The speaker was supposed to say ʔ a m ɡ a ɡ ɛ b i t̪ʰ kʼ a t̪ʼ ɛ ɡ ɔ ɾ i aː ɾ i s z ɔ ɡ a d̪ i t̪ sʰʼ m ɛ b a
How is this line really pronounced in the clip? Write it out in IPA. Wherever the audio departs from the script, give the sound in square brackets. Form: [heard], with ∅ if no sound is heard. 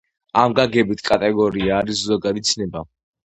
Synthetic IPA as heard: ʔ a m ɡ a ɡ ɛ b i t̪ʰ kʼ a t̪ʼ ɛ ɡ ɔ ɾ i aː ɾ i s z ɔ ɡ a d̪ i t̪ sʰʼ [n] ɛ b a